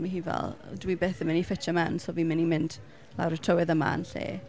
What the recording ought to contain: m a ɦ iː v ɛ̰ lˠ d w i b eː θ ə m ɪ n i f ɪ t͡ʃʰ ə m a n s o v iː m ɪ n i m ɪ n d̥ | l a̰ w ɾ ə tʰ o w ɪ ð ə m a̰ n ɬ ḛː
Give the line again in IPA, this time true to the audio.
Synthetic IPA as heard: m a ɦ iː v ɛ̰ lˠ d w i b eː θ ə m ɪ n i f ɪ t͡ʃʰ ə m a n s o v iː m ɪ n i m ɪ n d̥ | l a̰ w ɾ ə tʰ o w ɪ ð ə m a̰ n ɬ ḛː